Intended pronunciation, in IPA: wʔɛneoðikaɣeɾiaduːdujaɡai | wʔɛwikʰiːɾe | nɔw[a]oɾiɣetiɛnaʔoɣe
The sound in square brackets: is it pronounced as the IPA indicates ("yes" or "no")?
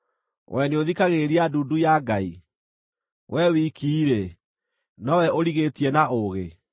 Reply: no